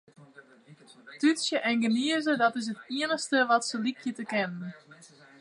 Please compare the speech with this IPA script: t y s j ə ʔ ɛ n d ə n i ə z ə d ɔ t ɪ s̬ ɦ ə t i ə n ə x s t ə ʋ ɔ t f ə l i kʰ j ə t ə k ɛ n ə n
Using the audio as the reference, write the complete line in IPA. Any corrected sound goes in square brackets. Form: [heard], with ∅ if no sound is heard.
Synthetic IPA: t y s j ə ʔ ɛ n [ɡ] ə n i ə z ə d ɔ t ɪ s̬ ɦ ə t i ə n ə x s t ə ʋ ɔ t [s] ə l i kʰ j ə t ə k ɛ n ə n